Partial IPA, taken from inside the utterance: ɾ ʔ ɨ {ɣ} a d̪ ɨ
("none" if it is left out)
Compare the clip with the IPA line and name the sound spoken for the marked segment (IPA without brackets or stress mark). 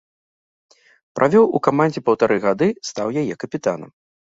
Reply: ɣ